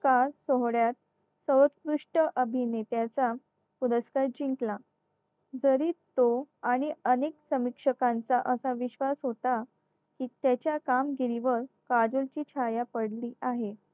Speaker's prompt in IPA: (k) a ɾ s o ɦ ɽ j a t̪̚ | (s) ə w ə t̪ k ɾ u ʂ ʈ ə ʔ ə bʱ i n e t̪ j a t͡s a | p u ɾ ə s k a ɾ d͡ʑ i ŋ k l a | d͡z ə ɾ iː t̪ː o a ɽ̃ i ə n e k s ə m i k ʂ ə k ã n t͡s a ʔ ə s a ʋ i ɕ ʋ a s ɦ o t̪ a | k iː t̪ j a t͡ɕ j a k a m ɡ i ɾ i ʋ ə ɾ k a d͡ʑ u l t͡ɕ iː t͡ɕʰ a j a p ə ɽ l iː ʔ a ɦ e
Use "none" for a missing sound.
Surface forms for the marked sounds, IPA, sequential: k, s

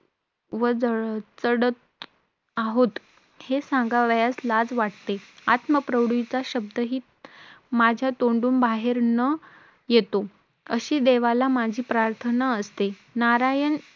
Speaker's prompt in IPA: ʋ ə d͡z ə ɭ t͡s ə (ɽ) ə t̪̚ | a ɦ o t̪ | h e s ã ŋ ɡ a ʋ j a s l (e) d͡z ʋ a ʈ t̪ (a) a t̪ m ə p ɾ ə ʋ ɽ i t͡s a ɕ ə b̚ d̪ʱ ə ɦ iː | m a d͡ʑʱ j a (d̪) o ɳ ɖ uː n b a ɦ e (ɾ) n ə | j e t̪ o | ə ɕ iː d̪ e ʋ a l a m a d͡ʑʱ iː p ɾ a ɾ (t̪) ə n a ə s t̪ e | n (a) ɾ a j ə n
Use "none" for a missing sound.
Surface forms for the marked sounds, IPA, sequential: ɽ, a, e, t̪, ɾ, t̪ʰ, a

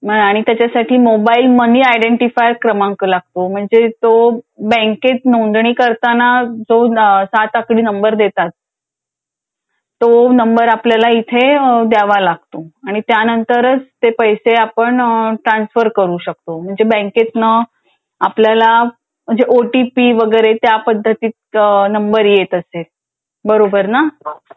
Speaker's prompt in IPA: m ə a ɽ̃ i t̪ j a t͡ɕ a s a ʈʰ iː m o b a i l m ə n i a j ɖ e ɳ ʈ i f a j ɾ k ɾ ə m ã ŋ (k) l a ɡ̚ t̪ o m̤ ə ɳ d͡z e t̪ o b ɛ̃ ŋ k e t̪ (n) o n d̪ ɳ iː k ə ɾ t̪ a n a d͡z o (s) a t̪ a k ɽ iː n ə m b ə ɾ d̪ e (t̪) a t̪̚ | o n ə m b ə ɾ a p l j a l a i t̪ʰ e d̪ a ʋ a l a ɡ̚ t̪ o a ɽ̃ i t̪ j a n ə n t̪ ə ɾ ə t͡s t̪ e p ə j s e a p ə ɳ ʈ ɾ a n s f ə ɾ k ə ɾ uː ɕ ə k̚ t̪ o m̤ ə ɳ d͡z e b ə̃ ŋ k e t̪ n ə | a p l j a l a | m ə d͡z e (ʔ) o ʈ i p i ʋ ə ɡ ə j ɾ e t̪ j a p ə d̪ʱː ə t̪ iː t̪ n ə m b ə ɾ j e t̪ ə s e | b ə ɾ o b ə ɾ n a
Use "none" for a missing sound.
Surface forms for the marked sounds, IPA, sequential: k, n, s, t̪, ʔ

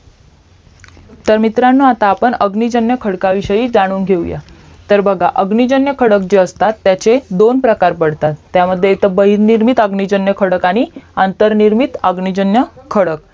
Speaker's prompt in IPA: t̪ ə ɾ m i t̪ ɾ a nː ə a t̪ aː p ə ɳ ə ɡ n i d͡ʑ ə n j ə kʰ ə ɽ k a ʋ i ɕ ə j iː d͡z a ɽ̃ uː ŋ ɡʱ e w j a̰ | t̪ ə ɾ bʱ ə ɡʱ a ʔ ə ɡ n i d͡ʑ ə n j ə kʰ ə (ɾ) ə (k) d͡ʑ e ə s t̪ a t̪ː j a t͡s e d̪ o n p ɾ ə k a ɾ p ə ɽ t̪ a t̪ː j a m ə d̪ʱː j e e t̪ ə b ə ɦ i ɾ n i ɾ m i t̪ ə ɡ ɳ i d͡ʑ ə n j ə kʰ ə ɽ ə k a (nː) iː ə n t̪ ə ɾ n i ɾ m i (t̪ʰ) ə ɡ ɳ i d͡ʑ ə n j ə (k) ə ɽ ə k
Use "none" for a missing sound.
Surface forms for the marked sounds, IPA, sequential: ɽ, k, n, t̪, kʰ

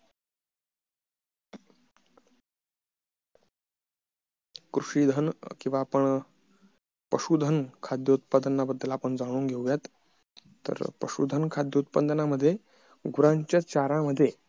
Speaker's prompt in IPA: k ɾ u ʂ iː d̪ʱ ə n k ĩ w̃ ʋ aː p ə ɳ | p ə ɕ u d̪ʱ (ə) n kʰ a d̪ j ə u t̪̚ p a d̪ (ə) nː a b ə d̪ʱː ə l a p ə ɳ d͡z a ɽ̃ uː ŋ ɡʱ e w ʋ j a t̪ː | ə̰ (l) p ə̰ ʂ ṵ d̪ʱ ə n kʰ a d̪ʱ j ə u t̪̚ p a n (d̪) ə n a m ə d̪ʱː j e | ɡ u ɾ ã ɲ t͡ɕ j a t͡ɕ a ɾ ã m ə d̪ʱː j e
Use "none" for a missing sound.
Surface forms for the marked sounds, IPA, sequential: ə, ə, ɾ, d̪

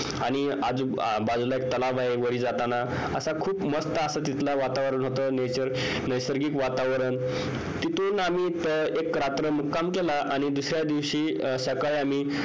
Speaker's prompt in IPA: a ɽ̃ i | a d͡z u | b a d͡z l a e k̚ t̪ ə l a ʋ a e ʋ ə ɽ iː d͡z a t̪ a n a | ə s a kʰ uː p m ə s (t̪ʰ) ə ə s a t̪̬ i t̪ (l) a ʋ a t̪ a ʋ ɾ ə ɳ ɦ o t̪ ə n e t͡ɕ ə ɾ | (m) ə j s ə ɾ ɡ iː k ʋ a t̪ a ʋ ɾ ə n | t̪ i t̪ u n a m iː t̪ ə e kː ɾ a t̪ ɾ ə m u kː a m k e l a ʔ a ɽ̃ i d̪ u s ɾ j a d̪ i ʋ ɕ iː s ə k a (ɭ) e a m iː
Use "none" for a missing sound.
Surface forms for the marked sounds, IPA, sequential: t̪, l, n, ɭ

